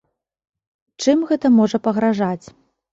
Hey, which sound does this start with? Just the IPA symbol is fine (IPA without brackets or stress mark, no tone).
t͡ʂ